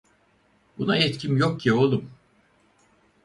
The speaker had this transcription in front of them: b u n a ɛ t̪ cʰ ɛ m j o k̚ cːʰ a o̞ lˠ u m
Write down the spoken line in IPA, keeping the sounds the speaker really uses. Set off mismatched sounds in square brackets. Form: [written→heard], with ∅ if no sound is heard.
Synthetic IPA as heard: b u n a ɛ t̪ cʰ [ɛ→i] m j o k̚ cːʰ [a→i] o̞ lˠ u m